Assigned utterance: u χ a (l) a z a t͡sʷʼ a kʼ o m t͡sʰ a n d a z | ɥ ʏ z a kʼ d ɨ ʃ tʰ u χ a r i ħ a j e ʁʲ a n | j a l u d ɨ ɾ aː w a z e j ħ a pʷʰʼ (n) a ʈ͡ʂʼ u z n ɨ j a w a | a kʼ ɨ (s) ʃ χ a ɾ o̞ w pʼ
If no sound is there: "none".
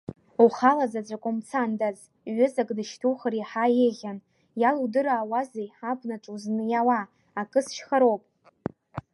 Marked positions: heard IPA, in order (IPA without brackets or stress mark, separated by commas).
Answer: l, n, s